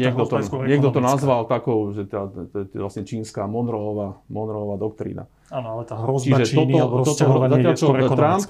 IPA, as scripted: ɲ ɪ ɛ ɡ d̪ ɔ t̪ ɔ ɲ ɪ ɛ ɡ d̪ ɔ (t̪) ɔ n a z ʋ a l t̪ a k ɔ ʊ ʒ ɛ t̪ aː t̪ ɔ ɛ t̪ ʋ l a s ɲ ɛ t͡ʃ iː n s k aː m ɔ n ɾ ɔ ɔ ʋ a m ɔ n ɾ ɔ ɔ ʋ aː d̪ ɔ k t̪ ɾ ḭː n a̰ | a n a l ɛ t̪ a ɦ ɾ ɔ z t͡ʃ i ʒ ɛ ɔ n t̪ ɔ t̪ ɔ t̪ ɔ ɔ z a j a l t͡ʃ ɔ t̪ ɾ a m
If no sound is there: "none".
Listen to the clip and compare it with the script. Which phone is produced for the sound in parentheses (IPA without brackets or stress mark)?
t̪